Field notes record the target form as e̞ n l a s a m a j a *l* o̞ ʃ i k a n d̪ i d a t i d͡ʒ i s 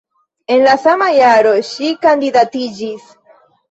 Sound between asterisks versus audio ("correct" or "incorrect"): incorrect